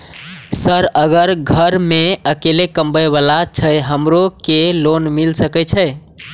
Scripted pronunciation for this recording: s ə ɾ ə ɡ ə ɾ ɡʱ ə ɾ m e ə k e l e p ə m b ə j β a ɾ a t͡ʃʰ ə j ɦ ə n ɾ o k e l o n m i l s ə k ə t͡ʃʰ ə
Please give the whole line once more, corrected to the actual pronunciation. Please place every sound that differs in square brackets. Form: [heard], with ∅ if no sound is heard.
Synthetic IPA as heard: s ə ɾ ə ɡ ə ɾ ɡʱ ə ɾ m e ə k e l e [k] ə m b ə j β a [l] a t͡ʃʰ ə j ɦ ə [m] ɾ o k e l o n m i l s ə k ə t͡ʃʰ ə